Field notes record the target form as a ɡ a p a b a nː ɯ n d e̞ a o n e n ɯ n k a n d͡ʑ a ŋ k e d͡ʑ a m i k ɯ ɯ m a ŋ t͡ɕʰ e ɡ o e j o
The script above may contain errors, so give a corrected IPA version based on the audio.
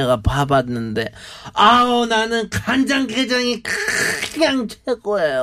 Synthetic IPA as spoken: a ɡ a p a b a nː ɯ n d e̞ a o n a n ɯ n k a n d͡ʑ a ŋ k e d͡ʑ a ŋ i k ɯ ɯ ɲ a ŋ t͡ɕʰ e ɡ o e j o